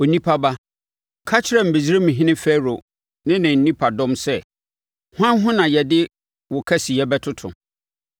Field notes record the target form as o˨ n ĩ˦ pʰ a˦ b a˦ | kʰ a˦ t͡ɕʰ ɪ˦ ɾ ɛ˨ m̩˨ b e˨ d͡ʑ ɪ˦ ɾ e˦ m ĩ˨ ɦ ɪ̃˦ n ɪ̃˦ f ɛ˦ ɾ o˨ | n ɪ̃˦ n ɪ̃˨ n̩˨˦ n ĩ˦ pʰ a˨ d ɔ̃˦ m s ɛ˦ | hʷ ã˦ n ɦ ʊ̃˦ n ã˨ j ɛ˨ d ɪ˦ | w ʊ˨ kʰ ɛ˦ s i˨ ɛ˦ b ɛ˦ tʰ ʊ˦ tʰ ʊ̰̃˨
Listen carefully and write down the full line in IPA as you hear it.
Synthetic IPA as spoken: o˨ n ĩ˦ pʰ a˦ b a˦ | kʰ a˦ t͡ɕʰ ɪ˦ ɾ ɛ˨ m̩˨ b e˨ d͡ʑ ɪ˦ ɾ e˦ m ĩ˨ ɦ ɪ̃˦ n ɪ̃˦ f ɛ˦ ɾ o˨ | n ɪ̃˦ n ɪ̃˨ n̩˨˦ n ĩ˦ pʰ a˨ d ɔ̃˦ m s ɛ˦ | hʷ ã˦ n ɦ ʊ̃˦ n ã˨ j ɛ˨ d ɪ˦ | w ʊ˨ kʰ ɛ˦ s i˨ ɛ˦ b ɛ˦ tʰ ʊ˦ tʰ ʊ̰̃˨